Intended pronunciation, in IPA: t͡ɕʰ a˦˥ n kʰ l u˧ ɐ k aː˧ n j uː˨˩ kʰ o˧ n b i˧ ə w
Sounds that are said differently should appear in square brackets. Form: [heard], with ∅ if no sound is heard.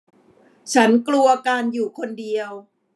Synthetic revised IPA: t͡ɕʰ a˦˥ n [k] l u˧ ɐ k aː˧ n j uː˨˩ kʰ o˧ n [d] i˧ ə w